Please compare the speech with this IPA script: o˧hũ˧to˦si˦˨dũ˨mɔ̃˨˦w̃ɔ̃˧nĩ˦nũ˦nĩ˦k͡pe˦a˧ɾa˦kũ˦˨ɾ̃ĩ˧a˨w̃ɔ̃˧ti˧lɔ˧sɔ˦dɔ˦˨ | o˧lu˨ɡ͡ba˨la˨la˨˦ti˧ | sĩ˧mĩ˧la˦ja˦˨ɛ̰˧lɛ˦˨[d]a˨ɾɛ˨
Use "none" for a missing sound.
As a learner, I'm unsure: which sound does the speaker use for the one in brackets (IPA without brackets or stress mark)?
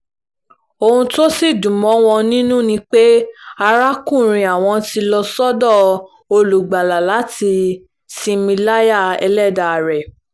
d